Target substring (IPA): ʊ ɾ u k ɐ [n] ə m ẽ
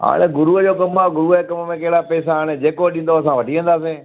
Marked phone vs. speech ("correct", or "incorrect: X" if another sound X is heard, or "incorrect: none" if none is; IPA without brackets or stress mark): incorrect: m